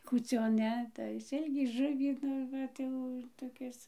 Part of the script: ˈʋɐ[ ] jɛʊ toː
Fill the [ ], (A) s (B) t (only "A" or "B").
B